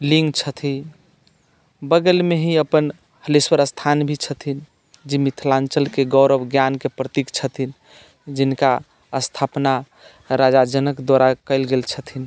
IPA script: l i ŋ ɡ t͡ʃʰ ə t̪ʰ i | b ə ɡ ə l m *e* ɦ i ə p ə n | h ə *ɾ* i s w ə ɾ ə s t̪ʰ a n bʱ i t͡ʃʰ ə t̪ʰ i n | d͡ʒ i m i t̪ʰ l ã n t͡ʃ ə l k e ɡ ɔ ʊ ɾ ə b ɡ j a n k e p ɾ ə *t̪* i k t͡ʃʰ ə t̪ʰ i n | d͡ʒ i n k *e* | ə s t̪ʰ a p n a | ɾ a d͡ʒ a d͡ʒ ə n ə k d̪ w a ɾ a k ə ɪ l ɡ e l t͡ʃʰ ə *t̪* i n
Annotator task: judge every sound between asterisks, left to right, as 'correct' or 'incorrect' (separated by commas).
correct, incorrect, correct, incorrect, incorrect